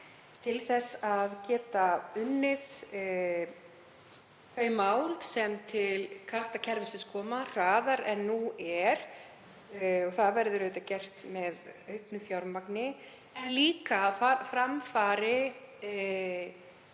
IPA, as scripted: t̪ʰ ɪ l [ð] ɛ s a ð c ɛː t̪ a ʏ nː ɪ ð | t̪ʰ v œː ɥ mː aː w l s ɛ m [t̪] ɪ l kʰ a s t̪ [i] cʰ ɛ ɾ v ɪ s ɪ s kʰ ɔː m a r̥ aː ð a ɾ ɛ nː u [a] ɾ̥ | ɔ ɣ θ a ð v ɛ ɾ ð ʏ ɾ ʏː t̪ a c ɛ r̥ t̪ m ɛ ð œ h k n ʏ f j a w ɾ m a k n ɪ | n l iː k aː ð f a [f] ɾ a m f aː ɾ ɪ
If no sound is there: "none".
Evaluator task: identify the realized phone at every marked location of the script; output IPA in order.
θ, t̪ʰ, a, ɛ, f

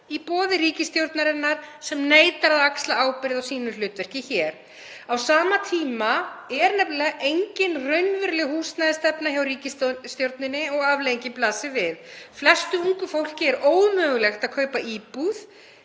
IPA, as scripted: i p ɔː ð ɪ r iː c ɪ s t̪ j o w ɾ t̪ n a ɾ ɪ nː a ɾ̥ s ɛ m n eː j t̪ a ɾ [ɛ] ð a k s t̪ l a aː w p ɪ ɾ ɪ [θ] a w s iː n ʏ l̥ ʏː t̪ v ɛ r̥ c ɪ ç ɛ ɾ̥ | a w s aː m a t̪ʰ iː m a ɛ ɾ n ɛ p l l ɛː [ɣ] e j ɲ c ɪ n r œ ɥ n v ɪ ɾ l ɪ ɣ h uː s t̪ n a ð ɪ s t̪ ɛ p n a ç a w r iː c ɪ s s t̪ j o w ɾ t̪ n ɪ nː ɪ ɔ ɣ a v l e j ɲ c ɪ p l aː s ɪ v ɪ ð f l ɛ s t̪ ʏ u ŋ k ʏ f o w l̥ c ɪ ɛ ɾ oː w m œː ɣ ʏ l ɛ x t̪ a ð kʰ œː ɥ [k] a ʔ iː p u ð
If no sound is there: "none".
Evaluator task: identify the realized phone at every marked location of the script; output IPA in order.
a, ð, ɣ, p

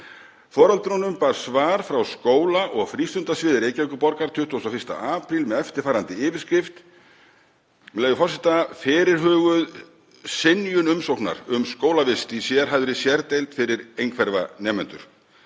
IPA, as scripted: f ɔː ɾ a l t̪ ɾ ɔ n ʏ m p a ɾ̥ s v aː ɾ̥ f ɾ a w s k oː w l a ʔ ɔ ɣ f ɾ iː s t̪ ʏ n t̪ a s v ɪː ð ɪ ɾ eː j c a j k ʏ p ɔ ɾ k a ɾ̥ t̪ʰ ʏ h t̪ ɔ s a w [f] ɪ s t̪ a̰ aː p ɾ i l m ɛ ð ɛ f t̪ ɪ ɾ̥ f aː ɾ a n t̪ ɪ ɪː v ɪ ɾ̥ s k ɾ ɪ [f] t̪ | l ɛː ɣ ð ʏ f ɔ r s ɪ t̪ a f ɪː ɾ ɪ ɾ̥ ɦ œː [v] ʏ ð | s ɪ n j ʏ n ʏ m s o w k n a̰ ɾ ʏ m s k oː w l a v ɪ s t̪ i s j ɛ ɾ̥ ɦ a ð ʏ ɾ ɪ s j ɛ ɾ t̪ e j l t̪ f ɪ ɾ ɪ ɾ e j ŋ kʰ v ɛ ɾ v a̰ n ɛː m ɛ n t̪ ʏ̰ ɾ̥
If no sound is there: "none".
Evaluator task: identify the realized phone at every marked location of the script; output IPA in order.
f, f, ɣ

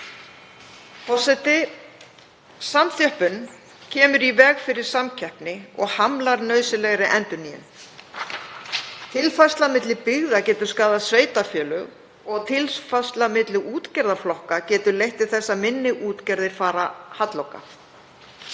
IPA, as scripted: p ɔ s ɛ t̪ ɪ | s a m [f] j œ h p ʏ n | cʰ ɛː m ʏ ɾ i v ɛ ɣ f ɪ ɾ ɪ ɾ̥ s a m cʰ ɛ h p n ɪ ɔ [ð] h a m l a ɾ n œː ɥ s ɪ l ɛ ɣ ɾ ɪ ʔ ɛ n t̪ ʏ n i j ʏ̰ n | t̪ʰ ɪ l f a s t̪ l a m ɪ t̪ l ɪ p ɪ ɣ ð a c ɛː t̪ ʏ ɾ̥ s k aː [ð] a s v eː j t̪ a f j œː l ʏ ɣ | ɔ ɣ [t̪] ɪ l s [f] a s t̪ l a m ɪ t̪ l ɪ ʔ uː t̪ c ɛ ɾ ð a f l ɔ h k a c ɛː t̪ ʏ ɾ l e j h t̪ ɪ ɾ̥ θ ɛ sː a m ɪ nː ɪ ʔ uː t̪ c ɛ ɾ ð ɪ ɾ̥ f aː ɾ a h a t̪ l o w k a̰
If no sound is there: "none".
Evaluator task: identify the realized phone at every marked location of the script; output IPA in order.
θ, ɣ, ð, t̪ʰ, f

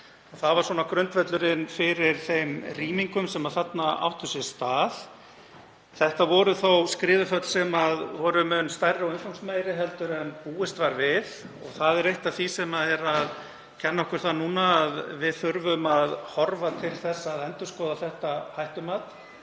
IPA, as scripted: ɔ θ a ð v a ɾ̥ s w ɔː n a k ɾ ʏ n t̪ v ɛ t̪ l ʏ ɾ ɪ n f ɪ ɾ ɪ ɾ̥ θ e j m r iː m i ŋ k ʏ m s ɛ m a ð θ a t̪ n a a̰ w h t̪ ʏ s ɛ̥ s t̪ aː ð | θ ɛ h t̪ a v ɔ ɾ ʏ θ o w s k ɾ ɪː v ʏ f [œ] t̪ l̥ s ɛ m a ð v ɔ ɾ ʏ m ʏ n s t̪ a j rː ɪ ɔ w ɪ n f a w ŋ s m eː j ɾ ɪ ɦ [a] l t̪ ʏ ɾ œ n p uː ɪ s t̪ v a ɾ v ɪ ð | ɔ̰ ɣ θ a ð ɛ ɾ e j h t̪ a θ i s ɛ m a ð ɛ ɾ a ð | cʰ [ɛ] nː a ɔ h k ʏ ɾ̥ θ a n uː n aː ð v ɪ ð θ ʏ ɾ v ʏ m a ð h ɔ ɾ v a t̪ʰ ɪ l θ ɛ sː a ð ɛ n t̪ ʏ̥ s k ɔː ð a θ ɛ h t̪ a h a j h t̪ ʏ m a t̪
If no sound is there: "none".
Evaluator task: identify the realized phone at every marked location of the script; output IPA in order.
œ, ɛ, ɛ

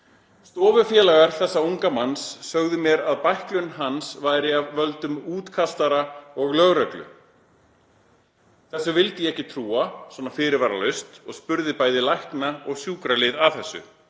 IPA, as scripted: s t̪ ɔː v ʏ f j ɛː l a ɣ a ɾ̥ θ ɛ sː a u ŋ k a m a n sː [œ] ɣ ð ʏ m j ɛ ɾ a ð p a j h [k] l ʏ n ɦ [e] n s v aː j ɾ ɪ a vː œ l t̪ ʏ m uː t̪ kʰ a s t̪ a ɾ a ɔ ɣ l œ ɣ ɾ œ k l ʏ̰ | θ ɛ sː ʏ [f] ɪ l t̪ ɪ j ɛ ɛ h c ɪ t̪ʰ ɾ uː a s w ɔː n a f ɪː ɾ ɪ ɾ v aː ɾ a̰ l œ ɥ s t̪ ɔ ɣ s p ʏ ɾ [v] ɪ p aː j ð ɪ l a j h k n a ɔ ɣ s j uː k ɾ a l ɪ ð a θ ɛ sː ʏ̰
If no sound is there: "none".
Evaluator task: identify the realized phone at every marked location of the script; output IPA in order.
œ, k, a, v, ð

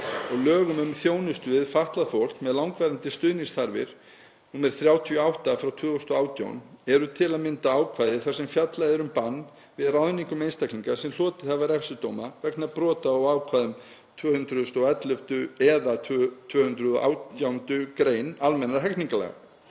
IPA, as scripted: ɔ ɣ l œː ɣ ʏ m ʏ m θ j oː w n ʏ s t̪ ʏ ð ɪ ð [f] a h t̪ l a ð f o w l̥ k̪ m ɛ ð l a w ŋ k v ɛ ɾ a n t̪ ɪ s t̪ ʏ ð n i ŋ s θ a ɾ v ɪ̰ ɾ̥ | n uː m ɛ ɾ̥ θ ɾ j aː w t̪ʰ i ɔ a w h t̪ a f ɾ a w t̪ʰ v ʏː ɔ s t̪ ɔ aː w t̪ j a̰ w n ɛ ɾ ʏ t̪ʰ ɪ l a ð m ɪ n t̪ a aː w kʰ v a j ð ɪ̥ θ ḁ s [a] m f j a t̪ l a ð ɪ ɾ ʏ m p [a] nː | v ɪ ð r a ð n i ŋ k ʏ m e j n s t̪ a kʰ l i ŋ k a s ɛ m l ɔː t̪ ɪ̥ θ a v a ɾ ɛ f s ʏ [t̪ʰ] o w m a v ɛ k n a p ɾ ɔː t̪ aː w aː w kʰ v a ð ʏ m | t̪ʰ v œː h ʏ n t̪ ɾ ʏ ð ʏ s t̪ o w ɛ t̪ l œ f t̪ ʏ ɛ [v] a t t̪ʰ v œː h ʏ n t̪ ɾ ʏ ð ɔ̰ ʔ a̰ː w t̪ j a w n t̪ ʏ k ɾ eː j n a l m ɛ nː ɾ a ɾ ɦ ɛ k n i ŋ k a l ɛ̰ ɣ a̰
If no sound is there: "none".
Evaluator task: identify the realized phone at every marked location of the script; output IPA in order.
f, ɛ, a, t̪, ð

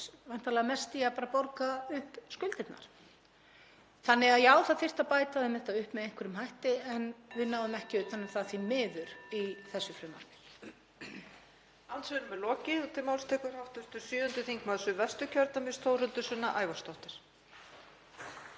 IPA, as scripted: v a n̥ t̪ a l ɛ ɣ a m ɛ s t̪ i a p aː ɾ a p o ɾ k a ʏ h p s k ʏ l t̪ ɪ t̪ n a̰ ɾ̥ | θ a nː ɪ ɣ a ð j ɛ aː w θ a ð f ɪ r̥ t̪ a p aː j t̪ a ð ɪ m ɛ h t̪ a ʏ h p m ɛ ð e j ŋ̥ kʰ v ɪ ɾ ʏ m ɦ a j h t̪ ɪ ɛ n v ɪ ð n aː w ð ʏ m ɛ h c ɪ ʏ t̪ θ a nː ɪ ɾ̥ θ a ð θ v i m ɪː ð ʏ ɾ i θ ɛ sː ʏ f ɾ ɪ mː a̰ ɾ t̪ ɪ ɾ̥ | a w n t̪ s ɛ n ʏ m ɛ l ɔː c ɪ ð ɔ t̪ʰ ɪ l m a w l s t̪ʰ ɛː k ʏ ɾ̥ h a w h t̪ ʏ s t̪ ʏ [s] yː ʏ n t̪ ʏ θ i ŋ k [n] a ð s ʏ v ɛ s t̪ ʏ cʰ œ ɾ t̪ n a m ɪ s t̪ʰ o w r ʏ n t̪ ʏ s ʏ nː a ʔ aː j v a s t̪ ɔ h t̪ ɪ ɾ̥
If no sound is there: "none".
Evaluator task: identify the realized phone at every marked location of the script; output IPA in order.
s, m

